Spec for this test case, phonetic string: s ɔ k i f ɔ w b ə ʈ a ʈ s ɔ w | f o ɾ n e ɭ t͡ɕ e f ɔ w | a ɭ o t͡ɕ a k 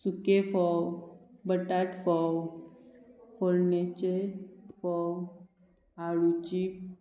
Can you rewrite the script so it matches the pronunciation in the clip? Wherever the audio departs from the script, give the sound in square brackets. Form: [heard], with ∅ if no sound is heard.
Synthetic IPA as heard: s [u] k [e] f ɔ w b ə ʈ a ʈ [f] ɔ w | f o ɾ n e [∅] t͡ɕ e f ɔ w | a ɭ [u] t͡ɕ [i] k